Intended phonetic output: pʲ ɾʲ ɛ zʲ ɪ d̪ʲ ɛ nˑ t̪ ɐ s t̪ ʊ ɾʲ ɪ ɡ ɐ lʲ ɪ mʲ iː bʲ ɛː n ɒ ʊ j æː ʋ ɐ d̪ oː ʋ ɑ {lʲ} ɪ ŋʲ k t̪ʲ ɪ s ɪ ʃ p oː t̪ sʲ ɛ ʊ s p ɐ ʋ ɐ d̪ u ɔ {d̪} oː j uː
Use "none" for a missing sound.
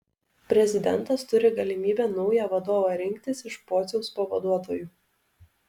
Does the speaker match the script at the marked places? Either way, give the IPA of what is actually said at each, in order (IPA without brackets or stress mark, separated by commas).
ɾʲ, t̪